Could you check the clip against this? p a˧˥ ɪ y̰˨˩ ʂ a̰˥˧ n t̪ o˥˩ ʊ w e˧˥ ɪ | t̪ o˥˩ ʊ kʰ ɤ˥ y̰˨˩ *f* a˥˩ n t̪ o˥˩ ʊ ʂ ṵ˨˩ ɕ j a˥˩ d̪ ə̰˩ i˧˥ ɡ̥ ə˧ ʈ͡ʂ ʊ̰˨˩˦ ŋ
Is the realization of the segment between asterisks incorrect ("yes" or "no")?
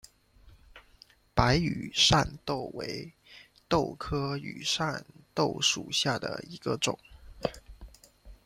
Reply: yes